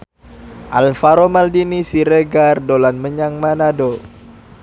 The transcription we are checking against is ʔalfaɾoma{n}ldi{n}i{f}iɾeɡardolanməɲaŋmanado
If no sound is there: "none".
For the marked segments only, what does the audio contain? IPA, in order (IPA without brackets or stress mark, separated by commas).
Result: none, n, s